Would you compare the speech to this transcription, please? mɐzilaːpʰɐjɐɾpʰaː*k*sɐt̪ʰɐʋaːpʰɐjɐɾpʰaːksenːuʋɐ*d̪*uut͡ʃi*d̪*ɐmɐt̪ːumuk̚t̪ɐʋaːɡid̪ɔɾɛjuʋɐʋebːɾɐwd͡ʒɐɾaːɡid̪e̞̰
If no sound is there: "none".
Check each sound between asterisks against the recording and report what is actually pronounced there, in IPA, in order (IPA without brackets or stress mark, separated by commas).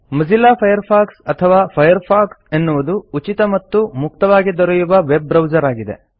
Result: k, d̪, t̪